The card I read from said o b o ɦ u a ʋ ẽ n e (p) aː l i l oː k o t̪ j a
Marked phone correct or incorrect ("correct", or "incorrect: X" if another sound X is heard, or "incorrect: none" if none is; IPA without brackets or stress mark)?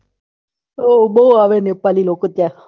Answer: correct